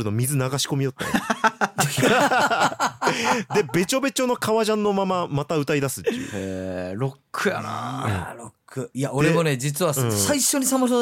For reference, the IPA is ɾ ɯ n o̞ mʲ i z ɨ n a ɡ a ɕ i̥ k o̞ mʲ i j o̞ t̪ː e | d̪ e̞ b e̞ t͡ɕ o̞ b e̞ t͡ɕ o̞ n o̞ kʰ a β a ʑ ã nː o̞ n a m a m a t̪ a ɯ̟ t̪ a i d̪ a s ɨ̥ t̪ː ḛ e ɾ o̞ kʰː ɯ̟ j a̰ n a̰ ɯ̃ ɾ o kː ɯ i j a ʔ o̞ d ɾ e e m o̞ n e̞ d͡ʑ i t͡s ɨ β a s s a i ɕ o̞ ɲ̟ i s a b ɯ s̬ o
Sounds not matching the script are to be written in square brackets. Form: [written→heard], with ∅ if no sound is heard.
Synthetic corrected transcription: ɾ ɯ n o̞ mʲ i z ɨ n a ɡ a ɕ i̥ k o̞ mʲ i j o̞ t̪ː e | d̪ e̞ b e̞ t͡ɕ o̞ b e̞ t͡ɕ o̞ n o̞ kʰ a β a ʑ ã nː o̞ [n→m] a m a m a t̪ a ɯ̟ t̪ a i d̪ a s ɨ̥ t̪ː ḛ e ɾ o̞ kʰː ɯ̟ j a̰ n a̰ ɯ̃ ɾ o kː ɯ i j a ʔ o̞ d ɾ e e m o̞ n e̞ d͡ʑ i t͡s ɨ β a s s a i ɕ o̞ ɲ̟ i s a [b→m] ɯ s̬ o